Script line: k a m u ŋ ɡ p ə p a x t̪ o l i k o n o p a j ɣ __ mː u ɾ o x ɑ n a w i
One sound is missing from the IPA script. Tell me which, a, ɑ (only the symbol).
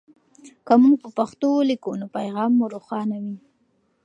ɑ